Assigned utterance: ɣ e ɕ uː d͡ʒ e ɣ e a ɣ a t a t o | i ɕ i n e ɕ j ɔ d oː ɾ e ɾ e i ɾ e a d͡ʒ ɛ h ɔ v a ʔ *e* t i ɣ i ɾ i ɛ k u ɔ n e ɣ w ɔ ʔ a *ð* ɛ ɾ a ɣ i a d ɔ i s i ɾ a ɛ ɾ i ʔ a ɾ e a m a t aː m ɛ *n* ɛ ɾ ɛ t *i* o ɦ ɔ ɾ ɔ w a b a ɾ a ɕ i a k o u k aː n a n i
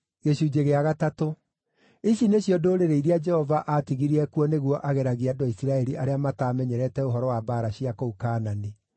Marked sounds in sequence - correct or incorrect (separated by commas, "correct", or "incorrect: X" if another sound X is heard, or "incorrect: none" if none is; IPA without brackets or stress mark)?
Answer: incorrect: a, incorrect: ɣ, incorrect: ɲ, incorrect: ɛ